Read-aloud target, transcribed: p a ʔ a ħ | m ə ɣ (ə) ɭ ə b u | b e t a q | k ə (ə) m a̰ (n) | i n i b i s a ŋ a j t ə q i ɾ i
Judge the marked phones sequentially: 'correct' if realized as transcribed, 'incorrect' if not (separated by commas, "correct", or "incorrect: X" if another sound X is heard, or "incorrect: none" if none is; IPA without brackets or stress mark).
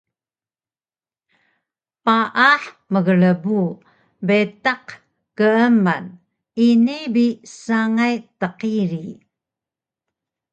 correct, correct, correct